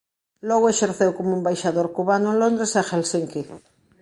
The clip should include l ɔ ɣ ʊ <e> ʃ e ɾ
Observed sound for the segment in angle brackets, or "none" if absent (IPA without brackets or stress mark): e